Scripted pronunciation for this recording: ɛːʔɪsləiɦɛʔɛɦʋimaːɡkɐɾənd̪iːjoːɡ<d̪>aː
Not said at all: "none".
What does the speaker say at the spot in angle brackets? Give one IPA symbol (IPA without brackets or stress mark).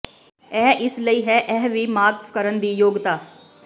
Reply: t̪